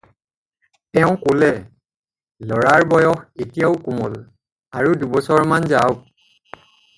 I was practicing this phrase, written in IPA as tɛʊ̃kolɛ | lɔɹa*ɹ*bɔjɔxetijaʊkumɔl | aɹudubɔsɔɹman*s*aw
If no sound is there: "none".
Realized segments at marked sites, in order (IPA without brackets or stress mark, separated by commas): ɹ, z